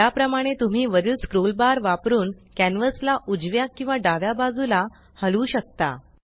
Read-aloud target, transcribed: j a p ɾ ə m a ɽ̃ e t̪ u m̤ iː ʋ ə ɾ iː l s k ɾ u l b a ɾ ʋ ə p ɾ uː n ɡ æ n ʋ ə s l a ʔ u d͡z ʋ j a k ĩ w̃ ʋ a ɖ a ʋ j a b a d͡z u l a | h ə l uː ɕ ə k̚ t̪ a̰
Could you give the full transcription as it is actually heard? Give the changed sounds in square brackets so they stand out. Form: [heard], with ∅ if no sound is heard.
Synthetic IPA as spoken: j a p ɾ ə m a ɽ̃ e t̪ u m̤ iː ʋ ə ɾ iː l s k ɾ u l b a ɾ ʋ [a] p ɾ uː n [k] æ n ʋ ə s l a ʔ u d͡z ʋ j a k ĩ w̃ ʋ a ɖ a ʋ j a b a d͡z u l a | h ə l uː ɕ ə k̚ t̪ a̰